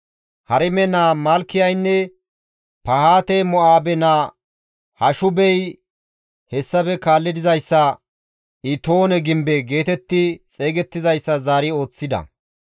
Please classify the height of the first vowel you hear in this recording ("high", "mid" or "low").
low